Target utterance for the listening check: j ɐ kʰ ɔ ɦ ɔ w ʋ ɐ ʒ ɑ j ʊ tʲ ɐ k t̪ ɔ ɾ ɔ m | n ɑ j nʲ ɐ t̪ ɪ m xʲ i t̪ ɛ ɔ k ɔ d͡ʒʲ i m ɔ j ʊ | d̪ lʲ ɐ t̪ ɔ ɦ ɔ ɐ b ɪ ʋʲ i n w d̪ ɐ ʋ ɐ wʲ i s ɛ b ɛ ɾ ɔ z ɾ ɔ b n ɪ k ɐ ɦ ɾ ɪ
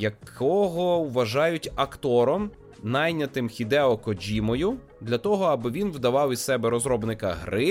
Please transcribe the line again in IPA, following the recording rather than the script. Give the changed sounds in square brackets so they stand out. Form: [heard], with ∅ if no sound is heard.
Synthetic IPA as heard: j ɐ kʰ ɔ ɦ ɔ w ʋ ɐ ʒ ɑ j ʊ tʲ ɐ k t̪ ɔ ɾ ɔ m | n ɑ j nʲ ɐ t̪ ɪ m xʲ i [d̪] ɛ ɔ k ɔ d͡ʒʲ i m ɔ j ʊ | d̪ lʲ ɐ t̪ ɔ ɦ ɔ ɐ b ɪ ʋʲ i n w d̪ ɐ ʋ [ɑ] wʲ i s ɛ b ɛ ɾ ɔ z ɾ ɔ b n ɪ k ɐ ɦ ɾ ɪ